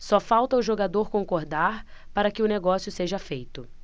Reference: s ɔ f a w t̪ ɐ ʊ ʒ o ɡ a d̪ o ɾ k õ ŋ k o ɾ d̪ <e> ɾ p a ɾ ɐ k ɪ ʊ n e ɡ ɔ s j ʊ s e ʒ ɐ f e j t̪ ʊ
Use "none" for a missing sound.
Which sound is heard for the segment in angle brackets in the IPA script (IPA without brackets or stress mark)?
a